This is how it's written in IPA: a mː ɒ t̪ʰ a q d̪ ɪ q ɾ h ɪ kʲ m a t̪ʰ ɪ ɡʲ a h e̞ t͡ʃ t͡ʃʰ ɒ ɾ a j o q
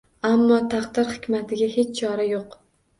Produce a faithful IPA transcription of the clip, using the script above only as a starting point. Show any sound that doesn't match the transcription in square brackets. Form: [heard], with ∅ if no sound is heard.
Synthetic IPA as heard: a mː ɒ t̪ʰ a q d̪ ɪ [∅] ɾ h ɪ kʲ m a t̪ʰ ɪ ɡʲ a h e̞ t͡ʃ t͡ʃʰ ɒ ɾ a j o q